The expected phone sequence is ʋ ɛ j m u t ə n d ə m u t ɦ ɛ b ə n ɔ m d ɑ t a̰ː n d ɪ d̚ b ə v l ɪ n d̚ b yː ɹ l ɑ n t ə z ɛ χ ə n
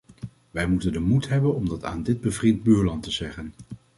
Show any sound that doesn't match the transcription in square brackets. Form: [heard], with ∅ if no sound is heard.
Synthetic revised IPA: ʋ ɛ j m u t ə n d ə m u t ɦ ɛ b ə n ɔ m d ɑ t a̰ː n d ɪ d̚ b ə v [r] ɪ n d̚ b yː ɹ l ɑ n t ə z ɛ χ ə n